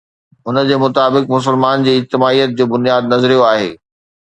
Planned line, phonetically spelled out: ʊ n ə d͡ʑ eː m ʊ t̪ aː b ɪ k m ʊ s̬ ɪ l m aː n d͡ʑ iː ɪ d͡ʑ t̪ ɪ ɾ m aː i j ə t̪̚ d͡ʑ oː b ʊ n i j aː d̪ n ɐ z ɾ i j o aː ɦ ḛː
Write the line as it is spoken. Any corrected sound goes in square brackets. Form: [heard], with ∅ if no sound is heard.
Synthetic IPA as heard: ʊ n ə d͡ʑ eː m ʊ t̪ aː b ɪ k m ʊ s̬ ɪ l m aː n d͡ʑ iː ɪ d͡ʑ t̪ ɪ [∅] m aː i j ə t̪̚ d͡ʑ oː b ʊ n i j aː d̪ n ɐ z ɾ i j o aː ɦ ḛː